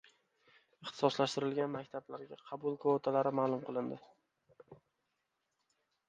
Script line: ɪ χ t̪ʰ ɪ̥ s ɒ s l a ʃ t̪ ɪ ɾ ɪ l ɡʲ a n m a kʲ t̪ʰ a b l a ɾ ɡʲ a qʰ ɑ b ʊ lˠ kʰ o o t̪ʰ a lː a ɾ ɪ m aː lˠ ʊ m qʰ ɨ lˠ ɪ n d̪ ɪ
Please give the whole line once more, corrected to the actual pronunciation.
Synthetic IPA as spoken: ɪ χ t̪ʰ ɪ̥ s ɒ s l a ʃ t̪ ɪ ɾ ɪ l ɡʲ a n m a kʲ t̪ʰ a b l a ɾ ɡʲ a qʰ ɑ b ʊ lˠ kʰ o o t̪ʰ a l a ɾ ɪ m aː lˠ ʊ m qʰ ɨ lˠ ɪ n d̪ ɪ

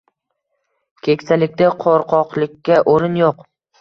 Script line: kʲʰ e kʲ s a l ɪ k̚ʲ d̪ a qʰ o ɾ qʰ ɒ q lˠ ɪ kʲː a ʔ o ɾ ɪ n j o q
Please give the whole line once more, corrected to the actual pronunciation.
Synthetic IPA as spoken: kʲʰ e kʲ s a l ɪ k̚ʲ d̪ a qʰ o ɾ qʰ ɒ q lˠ ɪ kʲː a ʔ o ɾ ɪ n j o q

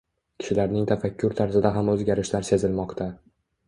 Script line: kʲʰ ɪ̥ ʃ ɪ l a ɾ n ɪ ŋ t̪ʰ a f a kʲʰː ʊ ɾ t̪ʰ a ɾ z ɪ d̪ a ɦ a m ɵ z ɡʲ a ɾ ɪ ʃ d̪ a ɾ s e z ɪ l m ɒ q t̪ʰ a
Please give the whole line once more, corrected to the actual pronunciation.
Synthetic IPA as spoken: kʲʰ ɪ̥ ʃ ɪ l a ɾ n ɪ ŋ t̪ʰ a f a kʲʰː ʊ ɾ t̪ʰ a ɾ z ɪ d̪ a ɦ a m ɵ z ɡʲ a ɾ ɪ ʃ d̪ a ɾ s e z ɪ l m ɒ q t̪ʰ a

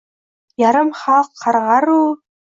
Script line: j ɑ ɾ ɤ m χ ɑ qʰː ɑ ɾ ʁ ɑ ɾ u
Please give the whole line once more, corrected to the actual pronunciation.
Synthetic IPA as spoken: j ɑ ɾ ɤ m χ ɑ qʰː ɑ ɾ ʁ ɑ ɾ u

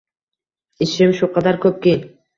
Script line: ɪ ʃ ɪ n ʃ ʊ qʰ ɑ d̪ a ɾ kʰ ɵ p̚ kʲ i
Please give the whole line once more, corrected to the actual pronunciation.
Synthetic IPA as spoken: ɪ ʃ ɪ m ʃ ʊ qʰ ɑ d̪ a ɾ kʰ ɵ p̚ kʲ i

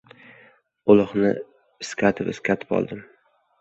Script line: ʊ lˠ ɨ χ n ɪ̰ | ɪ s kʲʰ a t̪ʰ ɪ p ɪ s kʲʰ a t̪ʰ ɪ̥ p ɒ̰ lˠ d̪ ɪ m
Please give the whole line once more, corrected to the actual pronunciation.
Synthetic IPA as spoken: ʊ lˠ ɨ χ n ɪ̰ | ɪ s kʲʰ a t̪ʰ ɪ p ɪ s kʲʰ a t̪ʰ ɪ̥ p ɒ̰ lˠ d̪ ɪ m

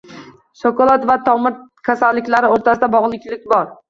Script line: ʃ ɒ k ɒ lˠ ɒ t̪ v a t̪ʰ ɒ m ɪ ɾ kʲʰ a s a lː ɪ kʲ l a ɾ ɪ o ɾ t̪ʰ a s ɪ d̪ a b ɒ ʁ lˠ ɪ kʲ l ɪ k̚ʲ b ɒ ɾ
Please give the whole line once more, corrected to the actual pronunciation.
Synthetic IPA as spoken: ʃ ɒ k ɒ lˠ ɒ t̪ v a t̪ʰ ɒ m ɪ ɾ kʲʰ a s a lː ɪ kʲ l a ɾ ɪ o ɾ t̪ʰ a s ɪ d̪ a b ɒ ʁ lˠ ɪ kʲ l ɪ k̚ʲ b ɒ ɾ

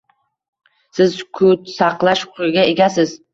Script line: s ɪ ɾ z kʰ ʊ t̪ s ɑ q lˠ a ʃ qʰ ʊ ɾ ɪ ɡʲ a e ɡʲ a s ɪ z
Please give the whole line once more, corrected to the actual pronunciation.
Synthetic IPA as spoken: s ɪ z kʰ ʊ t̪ s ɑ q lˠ a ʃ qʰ ʊ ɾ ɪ ɡʲ a e ɡʲ a s ɪ z

